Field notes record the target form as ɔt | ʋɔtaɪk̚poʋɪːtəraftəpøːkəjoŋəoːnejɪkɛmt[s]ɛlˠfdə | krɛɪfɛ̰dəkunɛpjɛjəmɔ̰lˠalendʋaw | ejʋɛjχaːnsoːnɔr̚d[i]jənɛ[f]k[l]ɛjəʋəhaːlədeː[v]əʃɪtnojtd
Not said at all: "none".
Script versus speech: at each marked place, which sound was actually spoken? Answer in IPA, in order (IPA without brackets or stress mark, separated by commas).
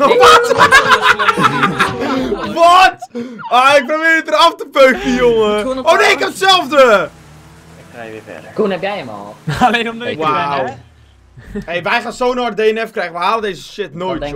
s, e, f, r, z